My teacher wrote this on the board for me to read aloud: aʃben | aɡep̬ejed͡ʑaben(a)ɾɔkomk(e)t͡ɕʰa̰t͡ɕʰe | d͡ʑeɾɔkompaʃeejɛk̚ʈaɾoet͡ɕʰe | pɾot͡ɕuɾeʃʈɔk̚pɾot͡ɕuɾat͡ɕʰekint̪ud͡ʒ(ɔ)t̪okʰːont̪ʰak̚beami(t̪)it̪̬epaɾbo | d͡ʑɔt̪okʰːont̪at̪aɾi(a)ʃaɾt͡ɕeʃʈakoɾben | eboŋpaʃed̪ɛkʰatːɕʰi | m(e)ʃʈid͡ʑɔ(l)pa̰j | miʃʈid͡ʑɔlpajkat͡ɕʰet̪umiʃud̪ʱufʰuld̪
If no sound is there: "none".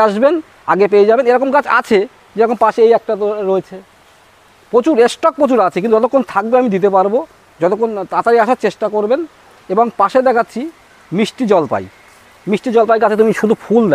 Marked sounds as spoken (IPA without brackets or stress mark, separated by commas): e, a, ɔ, d̪, a, i, l